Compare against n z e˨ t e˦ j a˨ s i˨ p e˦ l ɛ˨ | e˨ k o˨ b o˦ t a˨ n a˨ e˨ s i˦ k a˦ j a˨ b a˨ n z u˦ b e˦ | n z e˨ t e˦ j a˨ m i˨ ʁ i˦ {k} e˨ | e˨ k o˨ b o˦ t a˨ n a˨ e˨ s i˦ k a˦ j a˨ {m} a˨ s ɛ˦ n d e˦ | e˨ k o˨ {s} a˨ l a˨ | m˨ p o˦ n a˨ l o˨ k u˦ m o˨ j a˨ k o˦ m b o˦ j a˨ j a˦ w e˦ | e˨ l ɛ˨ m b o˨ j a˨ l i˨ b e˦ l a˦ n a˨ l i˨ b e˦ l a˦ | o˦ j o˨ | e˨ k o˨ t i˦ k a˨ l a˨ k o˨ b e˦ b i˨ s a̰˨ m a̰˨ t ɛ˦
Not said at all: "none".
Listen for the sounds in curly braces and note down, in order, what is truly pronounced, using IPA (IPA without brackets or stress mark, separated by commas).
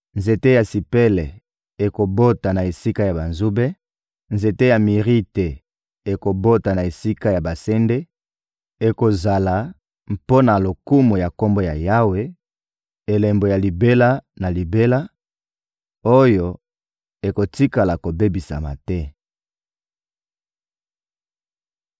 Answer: t, b, z